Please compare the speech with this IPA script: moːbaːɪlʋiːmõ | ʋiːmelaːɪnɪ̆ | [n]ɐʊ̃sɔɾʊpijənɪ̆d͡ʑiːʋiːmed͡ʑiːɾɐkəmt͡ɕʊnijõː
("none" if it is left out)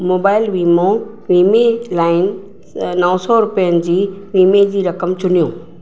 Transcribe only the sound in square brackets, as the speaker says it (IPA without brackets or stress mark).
n